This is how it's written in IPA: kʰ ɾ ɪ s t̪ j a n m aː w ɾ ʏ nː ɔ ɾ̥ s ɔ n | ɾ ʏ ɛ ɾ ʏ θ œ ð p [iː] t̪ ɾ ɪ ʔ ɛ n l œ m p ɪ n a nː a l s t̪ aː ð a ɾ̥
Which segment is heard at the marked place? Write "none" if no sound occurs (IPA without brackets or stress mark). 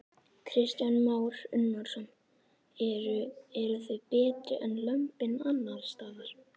ɛː